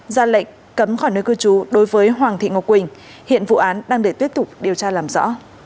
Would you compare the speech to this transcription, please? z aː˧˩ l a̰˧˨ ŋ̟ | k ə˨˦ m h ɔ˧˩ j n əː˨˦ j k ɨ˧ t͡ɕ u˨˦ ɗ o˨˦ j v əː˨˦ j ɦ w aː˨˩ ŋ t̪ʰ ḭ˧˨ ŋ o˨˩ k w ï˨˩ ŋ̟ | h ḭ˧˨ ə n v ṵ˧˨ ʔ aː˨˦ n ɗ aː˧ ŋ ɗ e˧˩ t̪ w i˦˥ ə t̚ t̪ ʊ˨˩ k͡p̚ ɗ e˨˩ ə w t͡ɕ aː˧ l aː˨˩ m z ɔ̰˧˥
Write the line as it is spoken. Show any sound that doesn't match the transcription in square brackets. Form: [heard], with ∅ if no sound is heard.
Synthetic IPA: z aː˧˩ l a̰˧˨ ŋ̟ | k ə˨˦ m [x] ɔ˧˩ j n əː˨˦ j k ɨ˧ t͡ɕ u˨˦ ɗ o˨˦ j v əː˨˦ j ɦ w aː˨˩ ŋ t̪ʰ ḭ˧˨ ŋ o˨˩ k w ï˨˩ ŋ̟ | h ḭ˧˨ ə n v ṵ˧˨ ʔ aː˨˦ n ɗ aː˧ ŋ ɗ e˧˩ t̪ w i˦˥ ə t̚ t̪ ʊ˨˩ k͡p̚ ɗ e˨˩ ə w t͡ɕ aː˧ l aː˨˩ m z ɔ̰˧˥